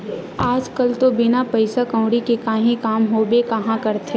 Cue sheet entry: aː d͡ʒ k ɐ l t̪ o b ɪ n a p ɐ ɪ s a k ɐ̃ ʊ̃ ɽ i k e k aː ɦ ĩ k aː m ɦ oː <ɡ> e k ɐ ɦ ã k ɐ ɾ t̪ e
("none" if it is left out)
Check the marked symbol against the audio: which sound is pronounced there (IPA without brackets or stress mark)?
b